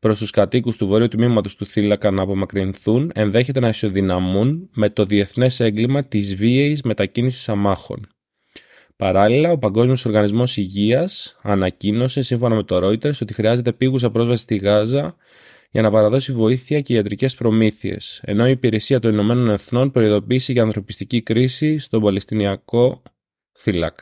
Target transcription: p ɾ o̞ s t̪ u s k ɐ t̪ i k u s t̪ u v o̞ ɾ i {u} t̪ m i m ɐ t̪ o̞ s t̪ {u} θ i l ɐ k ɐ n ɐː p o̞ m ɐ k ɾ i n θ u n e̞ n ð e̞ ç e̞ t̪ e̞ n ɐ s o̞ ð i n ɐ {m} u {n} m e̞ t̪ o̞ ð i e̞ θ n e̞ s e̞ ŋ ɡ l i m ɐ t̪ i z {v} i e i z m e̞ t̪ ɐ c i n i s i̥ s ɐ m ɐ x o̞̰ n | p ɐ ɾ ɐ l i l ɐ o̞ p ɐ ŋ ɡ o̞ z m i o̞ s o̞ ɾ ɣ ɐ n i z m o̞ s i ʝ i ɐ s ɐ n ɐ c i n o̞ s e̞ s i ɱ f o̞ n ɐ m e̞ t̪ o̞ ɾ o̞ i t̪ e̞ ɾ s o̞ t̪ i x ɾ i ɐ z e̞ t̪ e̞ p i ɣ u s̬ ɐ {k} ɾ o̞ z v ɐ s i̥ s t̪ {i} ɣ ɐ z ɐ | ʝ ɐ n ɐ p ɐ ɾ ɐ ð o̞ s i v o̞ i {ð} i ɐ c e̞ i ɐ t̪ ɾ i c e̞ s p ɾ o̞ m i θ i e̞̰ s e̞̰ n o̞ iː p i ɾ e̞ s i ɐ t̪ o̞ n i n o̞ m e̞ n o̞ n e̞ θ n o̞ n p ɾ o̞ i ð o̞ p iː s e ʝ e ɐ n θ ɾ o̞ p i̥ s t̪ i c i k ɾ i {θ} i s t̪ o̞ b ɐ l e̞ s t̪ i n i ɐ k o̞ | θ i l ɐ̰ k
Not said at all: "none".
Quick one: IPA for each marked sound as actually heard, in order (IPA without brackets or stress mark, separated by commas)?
u, u, m, n, v, p, i, θ, s